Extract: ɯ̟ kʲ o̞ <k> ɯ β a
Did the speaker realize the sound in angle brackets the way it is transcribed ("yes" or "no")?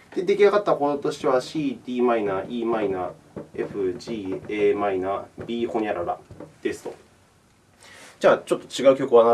yes